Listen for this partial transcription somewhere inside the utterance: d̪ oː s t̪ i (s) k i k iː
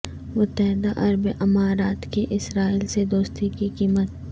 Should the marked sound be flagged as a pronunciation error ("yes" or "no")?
yes